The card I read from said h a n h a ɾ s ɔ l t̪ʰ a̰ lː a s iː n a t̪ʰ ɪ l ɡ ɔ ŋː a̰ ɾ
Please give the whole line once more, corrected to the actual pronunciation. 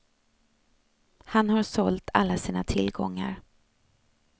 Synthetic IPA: h a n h a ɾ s ɔ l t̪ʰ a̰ lː a s iː n a t̪ʰ ɪ l ɡ ɔ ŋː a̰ ɾ